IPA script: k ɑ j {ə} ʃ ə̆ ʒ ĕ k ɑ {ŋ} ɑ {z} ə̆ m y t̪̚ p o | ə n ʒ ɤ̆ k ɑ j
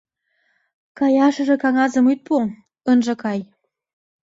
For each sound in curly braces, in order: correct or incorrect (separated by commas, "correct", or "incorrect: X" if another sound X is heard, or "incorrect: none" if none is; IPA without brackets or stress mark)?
incorrect: ɑ, correct, correct